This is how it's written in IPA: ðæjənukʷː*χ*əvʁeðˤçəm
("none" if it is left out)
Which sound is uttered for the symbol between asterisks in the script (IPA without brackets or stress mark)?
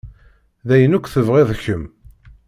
θ